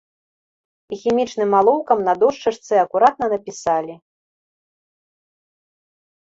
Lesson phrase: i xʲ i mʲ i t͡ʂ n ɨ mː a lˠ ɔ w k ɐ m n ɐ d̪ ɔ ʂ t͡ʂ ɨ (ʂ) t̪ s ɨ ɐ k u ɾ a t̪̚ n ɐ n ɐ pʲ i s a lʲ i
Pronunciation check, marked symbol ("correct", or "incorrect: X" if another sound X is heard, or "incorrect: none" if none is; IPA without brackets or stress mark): correct